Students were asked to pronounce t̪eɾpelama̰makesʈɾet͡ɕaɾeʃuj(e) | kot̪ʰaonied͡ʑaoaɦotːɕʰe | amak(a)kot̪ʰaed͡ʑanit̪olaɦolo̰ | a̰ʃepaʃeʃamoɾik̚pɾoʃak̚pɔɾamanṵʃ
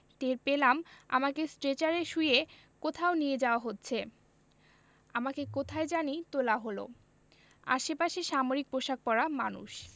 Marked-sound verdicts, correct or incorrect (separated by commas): correct, incorrect